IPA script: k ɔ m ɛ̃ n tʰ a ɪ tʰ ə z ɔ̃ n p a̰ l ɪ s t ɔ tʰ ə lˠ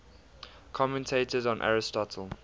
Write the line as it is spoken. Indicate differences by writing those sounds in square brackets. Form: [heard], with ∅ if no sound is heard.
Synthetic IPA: [kʰ] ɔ m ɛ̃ n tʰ [e] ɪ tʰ ə z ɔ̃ n [ʔ] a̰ [ɹ] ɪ s t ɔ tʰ ə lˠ